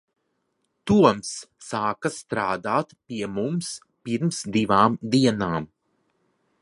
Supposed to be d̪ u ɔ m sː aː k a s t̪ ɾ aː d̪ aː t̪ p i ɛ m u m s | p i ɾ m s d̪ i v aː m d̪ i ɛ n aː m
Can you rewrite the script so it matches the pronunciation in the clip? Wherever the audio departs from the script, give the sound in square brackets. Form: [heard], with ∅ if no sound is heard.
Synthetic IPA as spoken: [t̪] u ɔ m sː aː k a s t̪ ɾ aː d̪ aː t̪ p i ɛ m u m s | p i ɾ m s d̪ i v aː m d̪ i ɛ n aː m